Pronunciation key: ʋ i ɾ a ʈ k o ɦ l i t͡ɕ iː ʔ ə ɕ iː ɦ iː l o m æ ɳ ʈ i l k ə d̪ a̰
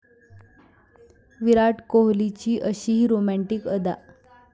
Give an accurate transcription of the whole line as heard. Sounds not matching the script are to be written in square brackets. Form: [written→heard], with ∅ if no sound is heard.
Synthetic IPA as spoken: ʋ i ɾ a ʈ k o ɦ l i t͡ɕ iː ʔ ə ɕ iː ɦ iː [l→ɾ] o m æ ɳ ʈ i [l→∅] k ə d̪ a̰

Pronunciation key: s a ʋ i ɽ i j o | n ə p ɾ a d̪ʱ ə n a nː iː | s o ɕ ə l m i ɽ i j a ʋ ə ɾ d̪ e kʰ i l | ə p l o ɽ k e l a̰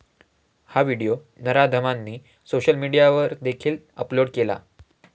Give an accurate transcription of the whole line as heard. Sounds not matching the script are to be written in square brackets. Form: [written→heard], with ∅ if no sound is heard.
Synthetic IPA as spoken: [s→h] a ʋ i ɽ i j o | n ə [p→∅] ɾ a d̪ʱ ə [n→m] a nː iː | s o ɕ ə l m i ɽ i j a ʋ ə ɾ d̪ e kʰ [i→iː] l | ə p l o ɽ k e l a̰

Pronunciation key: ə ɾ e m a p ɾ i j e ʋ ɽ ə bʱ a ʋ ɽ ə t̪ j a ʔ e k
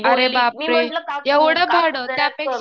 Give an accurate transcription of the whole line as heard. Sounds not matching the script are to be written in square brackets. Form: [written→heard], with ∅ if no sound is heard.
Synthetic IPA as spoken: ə ɾ e [m→b] a p ɾ [i→e] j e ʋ ɽ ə bʱ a [ʋ→∅] ɽ ə t̪ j a [ʔ→p] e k

